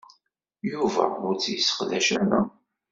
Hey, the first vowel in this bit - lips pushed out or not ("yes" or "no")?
yes